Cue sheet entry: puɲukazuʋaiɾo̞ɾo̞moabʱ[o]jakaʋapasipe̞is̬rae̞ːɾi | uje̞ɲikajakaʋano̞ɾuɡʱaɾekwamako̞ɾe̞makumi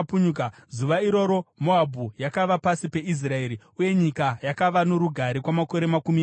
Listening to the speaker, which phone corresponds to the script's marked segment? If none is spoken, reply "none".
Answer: u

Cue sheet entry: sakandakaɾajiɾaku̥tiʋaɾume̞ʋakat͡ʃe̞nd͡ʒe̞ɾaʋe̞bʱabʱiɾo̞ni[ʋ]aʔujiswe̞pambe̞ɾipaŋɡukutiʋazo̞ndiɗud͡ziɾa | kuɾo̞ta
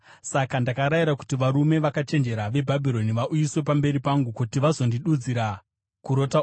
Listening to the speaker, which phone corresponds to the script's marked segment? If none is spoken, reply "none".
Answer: ʋ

